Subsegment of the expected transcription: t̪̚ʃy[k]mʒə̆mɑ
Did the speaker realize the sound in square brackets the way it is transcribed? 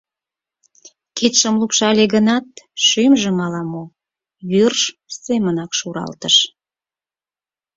no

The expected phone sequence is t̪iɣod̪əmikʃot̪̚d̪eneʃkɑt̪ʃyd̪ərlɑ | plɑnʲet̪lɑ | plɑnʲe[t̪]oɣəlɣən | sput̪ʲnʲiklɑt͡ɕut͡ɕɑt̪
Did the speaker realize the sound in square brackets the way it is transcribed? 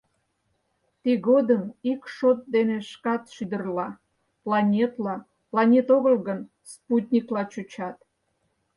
yes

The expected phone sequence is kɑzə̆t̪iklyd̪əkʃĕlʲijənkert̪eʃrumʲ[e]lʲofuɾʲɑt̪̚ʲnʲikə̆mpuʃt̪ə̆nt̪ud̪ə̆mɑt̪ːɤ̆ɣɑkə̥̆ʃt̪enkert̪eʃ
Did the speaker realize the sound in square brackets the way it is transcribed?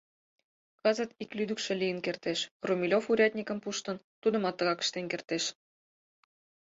no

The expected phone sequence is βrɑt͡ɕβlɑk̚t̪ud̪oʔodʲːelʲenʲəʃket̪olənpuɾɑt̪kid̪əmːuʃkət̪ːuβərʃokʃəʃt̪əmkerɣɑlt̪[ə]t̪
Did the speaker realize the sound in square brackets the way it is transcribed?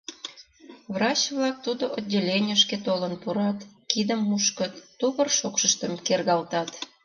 no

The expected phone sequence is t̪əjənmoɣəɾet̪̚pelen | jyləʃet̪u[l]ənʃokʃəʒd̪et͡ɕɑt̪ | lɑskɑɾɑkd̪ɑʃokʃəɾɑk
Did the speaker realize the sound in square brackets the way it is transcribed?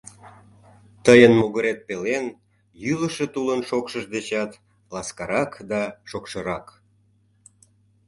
yes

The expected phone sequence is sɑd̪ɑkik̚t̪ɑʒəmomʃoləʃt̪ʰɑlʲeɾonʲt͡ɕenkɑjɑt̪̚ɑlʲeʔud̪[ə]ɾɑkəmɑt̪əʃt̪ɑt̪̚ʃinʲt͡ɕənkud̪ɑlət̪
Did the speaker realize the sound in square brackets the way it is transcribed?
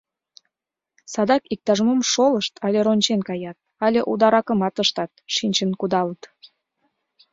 no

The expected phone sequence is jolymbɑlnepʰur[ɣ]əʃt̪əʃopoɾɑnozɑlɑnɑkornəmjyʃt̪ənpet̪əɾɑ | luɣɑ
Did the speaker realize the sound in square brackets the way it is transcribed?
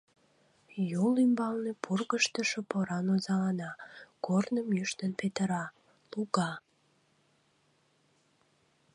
yes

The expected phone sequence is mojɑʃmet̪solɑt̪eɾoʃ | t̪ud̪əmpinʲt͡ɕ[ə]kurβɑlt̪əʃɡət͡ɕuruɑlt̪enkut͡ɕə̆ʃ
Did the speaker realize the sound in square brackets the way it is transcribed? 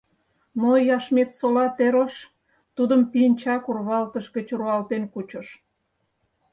no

